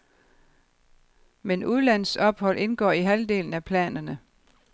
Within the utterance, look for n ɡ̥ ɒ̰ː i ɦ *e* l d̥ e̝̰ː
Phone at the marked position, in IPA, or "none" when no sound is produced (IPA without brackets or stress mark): æ